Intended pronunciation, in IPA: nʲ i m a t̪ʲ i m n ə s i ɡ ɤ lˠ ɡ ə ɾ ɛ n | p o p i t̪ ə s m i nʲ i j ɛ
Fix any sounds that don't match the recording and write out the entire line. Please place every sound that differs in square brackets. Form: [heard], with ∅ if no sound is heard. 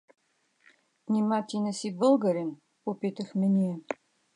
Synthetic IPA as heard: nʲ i m a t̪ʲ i [∅] n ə s i [b] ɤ lˠ ɡ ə ɾ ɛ n | p o p i t̪ ə [x] m [ɛ] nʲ i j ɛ